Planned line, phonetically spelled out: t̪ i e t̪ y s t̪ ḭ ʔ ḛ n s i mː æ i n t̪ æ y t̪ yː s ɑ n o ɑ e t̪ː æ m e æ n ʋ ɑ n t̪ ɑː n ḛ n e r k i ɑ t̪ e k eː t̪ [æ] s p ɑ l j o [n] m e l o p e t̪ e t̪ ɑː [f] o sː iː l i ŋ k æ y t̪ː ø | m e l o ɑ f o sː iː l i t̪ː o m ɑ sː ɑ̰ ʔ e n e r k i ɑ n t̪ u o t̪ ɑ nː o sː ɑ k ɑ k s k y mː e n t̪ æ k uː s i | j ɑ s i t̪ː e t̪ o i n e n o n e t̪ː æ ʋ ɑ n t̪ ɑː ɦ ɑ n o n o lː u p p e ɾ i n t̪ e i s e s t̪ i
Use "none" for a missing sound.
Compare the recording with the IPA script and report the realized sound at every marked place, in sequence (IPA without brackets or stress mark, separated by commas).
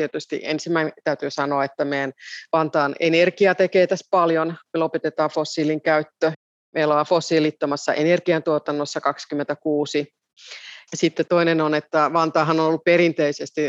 æ, n, f